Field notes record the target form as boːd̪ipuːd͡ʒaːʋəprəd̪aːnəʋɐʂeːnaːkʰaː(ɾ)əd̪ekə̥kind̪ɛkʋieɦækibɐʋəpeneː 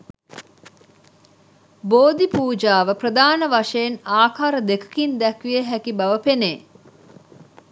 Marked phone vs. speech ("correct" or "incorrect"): correct